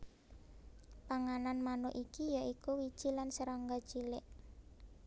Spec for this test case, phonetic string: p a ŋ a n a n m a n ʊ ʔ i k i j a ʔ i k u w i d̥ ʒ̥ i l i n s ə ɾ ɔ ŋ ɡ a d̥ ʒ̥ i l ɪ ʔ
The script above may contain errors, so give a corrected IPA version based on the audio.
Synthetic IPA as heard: p a ŋ a n a n m a n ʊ ʔ i k i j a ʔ i k u w i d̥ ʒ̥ i l a n s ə ɾ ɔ ŋ ɡ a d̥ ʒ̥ i l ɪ ʔ